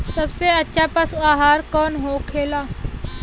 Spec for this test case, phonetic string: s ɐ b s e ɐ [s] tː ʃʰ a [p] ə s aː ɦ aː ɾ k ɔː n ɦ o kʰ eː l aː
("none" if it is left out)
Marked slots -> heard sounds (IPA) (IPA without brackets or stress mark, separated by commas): none, p